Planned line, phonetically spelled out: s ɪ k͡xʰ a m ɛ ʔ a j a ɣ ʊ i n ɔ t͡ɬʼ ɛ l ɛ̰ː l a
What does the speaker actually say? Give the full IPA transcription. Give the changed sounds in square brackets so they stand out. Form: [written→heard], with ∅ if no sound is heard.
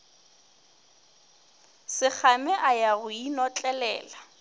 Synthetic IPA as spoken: s ɪ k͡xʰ a m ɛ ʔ a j a ɣ ʊ i n ɔ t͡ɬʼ ɛ l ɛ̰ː l a